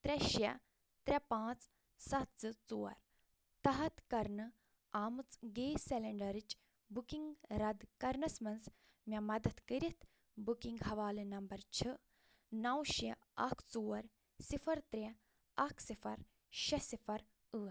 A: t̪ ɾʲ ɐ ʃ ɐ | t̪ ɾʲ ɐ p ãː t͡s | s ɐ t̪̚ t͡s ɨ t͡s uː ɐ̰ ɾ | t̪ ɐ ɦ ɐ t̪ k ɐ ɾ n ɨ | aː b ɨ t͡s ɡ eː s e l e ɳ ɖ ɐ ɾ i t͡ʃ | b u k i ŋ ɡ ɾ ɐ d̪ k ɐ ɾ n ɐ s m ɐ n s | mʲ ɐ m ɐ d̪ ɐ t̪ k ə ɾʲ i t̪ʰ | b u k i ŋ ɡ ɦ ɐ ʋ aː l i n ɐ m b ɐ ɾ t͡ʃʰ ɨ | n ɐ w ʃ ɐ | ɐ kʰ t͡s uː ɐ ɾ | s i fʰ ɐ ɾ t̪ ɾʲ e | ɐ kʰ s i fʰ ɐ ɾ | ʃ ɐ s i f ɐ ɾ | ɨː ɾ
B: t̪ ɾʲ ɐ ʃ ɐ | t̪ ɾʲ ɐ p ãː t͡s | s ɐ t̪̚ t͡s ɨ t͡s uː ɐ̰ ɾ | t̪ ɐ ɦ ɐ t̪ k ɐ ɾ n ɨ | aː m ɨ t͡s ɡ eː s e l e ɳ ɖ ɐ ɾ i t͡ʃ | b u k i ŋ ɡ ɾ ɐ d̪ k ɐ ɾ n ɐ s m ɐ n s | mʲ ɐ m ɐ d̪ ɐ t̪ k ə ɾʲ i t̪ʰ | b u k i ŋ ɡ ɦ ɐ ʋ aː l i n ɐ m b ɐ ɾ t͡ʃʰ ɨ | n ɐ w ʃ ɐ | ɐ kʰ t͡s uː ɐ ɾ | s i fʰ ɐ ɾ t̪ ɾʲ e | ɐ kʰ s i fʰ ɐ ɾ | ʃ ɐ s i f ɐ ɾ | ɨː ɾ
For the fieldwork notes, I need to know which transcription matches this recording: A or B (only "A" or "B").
B